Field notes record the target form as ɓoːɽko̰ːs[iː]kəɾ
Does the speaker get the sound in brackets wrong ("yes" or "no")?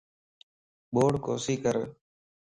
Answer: no